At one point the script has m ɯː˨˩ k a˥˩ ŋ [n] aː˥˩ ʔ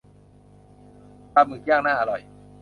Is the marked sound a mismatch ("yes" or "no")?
no